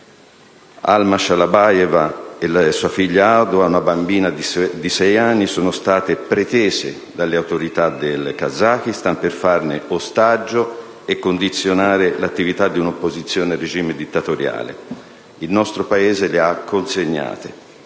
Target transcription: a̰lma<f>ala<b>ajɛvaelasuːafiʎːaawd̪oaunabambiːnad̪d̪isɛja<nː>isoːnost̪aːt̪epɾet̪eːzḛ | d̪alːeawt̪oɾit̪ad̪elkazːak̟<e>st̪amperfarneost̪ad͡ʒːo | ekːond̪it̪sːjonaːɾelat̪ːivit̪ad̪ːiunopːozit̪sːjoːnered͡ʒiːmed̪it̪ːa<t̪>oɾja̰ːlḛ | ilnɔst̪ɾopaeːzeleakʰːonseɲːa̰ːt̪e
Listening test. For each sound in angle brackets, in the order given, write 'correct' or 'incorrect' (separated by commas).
incorrect, correct, correct, incorrect, correct